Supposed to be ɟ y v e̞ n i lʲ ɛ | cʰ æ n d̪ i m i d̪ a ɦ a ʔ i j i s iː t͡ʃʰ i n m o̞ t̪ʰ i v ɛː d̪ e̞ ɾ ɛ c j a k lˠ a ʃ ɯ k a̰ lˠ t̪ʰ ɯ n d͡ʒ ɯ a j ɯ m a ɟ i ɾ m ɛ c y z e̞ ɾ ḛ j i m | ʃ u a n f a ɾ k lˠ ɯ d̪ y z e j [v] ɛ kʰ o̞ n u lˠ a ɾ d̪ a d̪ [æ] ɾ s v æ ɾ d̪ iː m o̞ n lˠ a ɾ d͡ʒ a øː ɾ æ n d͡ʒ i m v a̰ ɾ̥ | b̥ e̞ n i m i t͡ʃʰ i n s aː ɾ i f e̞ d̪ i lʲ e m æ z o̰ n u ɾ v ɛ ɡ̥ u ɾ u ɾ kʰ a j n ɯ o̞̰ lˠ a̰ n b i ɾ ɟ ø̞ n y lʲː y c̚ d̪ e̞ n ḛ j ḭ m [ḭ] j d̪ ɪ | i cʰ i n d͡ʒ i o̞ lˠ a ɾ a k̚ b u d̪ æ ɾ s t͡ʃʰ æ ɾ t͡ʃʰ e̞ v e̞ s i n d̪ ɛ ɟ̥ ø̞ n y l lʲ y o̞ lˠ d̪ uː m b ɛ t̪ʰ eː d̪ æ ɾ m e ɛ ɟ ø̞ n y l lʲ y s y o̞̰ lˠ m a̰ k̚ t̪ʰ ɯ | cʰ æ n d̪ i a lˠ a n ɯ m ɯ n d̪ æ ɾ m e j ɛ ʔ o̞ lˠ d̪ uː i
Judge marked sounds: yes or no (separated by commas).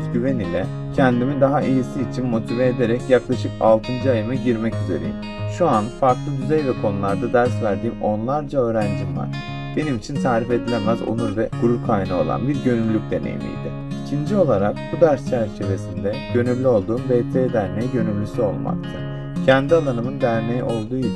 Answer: yes, yes, yes